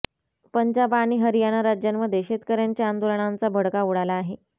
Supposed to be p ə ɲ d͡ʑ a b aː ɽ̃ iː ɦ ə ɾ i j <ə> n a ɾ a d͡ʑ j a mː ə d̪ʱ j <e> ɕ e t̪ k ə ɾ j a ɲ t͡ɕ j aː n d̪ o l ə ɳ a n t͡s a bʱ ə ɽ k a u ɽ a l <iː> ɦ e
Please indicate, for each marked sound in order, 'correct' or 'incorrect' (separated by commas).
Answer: incorrect, correct, incorrect